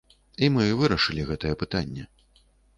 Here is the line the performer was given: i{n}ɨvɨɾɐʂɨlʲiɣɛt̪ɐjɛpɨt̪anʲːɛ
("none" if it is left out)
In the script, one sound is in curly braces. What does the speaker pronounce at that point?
m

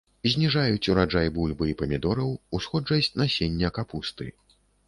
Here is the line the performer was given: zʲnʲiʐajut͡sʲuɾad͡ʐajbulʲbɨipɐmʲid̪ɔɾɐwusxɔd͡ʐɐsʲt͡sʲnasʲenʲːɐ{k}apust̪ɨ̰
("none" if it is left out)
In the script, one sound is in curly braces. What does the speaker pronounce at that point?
k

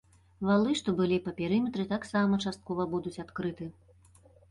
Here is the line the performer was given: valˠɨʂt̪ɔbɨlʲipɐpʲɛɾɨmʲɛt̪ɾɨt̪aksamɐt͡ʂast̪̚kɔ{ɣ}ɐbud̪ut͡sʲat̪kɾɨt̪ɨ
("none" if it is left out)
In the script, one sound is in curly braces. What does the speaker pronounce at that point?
v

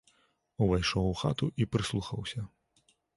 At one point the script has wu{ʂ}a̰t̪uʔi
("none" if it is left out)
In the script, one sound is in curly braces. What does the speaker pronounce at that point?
x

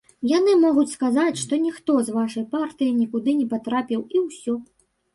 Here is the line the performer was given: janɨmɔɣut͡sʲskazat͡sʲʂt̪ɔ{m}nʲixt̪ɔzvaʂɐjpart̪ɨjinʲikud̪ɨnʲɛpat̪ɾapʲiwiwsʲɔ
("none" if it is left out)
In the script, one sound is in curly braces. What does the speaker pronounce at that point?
none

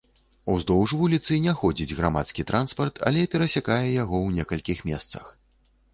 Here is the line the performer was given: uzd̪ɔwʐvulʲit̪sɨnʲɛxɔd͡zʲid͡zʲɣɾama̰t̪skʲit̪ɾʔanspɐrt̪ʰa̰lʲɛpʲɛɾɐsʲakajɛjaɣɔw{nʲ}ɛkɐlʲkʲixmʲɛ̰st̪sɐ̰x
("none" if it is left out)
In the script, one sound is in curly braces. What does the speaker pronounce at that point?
nʲ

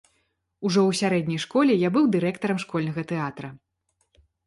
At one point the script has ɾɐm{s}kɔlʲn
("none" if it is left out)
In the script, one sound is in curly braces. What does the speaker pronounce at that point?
ʂ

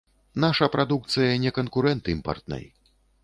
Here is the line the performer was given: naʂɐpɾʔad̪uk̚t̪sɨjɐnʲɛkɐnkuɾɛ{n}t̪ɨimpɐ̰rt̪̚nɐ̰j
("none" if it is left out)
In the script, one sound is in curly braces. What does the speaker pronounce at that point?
n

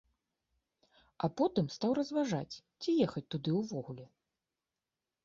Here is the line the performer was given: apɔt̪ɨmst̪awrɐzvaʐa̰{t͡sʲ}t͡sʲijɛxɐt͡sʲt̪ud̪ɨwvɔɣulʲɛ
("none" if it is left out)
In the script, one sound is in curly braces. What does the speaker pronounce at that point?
t͡sʲ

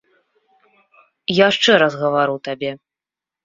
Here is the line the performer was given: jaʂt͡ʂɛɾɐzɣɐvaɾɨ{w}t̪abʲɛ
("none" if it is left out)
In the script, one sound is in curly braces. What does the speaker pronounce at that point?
w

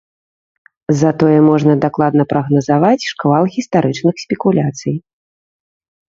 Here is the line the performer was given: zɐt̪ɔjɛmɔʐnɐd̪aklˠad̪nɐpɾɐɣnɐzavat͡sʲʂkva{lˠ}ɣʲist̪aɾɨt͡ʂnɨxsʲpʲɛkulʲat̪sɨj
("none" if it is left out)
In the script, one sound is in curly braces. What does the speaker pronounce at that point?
lˠ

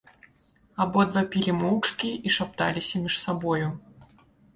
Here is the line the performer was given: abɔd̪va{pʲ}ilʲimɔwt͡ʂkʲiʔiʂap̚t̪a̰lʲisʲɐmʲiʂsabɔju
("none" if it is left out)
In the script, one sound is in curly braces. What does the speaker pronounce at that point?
pʲ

